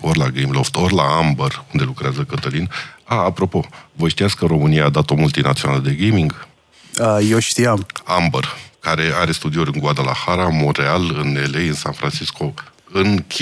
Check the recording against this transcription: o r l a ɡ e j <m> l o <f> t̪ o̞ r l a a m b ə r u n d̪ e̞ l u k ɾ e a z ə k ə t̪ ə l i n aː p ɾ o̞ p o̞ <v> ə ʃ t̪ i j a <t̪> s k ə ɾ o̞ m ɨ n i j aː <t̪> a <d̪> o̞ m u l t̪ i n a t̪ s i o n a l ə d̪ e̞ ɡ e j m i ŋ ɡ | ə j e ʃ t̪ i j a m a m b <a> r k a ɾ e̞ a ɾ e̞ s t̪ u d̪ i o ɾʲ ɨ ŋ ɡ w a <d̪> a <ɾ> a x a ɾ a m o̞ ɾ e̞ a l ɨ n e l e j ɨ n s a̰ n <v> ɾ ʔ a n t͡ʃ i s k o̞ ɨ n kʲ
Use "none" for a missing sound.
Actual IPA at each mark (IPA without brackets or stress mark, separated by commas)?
m, f, v, t̪, d̪, t̪, ə, d̪, l, f